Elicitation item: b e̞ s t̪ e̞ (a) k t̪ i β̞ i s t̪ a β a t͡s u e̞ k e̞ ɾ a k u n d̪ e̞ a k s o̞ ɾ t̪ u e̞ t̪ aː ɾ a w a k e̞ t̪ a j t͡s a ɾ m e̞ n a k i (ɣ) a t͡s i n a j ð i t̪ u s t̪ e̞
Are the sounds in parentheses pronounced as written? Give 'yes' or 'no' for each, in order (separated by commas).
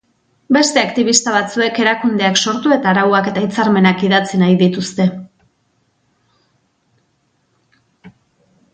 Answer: yes, no